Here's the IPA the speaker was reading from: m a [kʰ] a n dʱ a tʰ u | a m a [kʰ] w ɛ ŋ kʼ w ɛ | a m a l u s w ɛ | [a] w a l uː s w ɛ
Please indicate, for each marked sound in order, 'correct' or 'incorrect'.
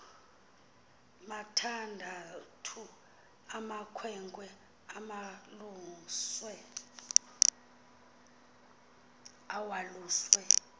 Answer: incorrect, correct, correct

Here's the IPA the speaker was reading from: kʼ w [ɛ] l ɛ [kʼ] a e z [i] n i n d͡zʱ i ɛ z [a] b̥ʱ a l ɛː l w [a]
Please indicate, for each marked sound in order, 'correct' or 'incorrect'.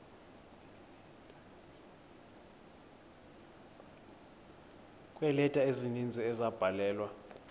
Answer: correct, incorrect, correct, correct, correct

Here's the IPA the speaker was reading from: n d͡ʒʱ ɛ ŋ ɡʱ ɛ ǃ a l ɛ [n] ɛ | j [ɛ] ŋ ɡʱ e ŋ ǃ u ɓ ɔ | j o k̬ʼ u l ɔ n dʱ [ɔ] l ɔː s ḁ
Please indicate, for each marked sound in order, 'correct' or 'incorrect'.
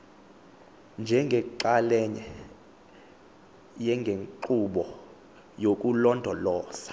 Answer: incorrect, correct, correct

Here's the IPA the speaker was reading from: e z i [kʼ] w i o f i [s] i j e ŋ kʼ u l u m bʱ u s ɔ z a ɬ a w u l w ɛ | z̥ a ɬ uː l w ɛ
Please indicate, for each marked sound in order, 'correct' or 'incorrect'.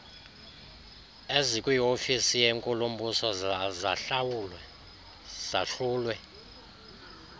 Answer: correct, correct

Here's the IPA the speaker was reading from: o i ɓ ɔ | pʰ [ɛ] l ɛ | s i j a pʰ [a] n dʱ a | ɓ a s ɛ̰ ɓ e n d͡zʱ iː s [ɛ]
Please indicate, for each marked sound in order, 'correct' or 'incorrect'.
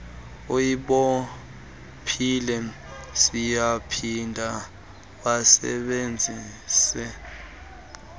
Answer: incorrect, incorrect, correct

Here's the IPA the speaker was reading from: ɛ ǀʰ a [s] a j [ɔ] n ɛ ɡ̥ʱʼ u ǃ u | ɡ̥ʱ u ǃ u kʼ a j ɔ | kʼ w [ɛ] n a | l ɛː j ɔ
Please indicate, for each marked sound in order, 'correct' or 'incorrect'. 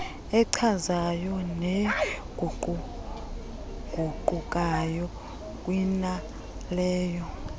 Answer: incorrect, correct, incorrect

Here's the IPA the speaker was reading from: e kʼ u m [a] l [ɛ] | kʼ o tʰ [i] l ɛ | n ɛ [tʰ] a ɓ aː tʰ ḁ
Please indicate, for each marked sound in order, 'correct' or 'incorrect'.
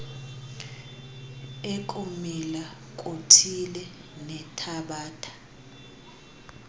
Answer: incorrect, incorrect, correct, correct

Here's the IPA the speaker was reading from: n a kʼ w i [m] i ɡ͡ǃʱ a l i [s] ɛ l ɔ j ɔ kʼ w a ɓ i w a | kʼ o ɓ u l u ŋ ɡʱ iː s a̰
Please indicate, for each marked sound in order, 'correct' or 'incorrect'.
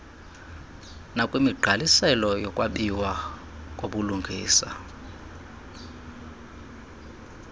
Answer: correct, correct

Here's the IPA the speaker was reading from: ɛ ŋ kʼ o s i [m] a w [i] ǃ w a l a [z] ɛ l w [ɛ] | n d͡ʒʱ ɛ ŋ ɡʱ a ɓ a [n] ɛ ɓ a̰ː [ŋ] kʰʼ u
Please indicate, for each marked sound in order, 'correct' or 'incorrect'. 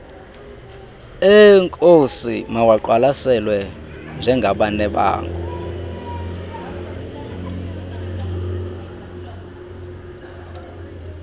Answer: correct, incorrect, incorrect, correct, correct, correct

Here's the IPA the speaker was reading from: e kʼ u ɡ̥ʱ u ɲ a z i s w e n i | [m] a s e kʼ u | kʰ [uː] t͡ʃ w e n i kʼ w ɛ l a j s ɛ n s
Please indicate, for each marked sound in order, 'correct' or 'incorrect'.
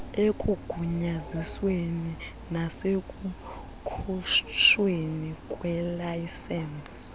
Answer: incorrect, incorrect

